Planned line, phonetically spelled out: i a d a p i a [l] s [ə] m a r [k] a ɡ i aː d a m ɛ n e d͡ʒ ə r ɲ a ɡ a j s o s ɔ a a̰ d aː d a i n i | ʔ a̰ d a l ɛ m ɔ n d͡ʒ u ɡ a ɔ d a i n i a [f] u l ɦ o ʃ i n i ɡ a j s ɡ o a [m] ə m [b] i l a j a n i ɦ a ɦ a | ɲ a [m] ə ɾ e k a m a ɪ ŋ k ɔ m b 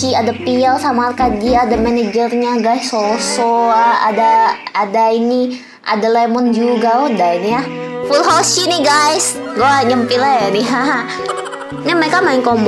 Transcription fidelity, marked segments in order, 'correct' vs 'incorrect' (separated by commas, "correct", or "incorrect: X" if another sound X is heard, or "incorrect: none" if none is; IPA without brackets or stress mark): correct, incorrect: a, correct, correct, incorrect: ɲ, incorrect: p, correct